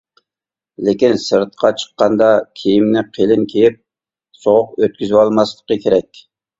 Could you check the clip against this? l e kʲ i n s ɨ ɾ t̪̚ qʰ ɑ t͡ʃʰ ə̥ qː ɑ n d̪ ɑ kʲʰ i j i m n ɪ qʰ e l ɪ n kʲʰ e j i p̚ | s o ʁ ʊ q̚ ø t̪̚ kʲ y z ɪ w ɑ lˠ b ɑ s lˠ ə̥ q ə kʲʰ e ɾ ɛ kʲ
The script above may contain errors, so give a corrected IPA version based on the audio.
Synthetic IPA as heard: l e kʲ i n s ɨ ɾ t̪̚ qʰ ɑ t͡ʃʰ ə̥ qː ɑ n d̪ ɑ kʲʰ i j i m n ɪ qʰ e l ɪ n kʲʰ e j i p̚ | s o ʁ ʊ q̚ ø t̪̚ kʲ y z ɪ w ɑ lˠ m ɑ s lˠ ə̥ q ə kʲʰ e ɾ ɛ kʲ